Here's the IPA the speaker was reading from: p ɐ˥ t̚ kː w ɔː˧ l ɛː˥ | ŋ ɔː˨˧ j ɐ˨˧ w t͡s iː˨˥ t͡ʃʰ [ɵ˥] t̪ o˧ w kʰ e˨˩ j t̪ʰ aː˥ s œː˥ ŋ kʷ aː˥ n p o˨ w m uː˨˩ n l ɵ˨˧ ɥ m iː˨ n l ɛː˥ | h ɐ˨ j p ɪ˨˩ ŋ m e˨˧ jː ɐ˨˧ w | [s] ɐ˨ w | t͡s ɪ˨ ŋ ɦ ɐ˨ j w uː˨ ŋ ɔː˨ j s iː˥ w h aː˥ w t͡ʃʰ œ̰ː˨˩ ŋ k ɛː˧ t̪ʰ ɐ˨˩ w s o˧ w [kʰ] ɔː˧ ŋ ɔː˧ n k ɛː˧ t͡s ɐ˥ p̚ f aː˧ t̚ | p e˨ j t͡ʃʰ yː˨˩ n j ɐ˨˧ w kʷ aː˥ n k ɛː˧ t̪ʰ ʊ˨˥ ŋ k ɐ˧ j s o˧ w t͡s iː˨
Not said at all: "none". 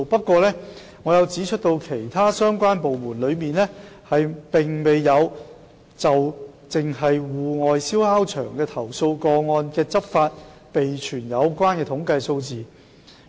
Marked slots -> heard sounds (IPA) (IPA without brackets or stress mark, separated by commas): ɵ˥, t͡s, k